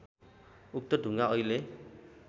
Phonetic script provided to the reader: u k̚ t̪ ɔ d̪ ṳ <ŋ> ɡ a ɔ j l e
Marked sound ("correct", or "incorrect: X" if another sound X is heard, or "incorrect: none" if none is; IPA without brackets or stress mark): correct